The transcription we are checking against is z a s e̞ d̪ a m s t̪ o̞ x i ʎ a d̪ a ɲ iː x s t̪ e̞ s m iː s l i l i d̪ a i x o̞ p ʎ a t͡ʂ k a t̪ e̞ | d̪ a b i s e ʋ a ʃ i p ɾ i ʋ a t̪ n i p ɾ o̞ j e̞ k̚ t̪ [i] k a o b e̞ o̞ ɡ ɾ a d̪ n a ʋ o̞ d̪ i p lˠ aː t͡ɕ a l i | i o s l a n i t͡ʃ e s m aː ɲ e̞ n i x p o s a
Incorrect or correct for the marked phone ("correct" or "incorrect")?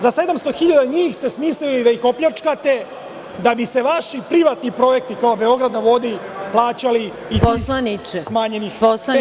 correct